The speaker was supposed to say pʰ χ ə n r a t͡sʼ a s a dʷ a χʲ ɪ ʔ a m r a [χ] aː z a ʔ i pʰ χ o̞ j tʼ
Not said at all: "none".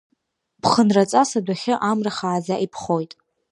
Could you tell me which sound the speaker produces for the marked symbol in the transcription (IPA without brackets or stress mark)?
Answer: χ